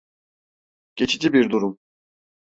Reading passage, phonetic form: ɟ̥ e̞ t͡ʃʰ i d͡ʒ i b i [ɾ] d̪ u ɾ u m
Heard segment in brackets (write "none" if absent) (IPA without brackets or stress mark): ɾ